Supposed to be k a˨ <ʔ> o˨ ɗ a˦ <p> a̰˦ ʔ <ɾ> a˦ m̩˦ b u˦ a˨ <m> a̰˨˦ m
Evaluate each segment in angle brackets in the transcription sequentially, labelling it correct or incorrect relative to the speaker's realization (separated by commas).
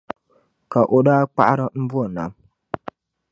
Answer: correct, incorrect, correct, incorrect